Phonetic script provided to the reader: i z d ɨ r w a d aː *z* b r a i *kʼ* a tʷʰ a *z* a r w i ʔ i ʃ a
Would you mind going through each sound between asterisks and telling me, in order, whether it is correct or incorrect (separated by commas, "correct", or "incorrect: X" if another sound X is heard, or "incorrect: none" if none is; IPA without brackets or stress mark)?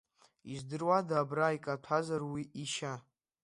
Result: incorrect: none, correct, correct